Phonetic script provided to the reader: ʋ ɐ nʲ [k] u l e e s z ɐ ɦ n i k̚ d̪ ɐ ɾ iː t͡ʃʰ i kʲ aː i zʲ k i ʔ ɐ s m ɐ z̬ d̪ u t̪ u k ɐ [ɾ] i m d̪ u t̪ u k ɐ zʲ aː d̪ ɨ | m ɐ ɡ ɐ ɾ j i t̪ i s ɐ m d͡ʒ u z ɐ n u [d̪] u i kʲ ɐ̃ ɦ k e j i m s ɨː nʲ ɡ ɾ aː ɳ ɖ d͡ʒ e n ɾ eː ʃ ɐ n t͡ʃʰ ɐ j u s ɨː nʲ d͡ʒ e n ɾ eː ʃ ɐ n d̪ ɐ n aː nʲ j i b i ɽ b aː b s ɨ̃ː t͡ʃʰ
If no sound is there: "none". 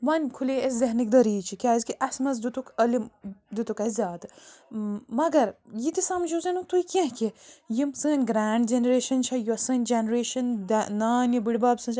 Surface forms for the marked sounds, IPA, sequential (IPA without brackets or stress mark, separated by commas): kʰ, l, t̪